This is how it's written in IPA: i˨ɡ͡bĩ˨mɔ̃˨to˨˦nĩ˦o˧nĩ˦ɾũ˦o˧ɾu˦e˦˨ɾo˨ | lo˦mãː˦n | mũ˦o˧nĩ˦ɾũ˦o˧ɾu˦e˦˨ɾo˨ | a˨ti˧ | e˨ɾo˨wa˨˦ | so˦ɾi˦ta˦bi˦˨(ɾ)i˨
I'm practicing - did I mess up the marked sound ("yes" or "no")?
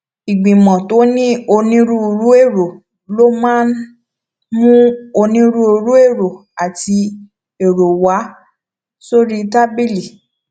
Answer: yes